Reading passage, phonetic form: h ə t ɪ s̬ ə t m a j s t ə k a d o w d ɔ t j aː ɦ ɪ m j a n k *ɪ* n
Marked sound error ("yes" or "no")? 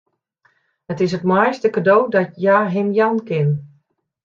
no